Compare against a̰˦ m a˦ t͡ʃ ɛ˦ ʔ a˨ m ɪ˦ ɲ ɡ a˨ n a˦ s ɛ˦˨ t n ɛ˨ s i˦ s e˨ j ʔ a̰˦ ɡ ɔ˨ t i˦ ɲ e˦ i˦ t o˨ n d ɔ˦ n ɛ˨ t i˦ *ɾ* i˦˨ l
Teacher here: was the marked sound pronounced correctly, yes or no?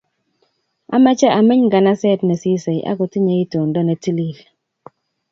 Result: no